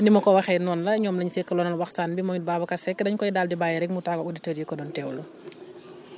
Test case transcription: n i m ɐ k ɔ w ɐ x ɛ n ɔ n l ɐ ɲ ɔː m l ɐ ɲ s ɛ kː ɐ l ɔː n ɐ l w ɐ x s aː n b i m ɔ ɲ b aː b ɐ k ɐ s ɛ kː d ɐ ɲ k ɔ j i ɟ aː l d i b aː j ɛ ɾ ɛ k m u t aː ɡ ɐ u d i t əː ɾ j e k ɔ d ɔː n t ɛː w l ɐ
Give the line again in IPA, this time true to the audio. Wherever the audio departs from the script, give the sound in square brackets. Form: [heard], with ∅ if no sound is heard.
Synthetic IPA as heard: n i m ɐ k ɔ w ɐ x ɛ n ɔ n l ɐ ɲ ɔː m l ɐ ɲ s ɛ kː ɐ l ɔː n ɐ l w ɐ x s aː n b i m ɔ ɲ b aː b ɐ k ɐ s ɛ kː d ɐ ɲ k ɔ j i [d] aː l d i b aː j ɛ ɾ ɛ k m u t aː ɡ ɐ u d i t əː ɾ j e k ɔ d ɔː n t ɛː w l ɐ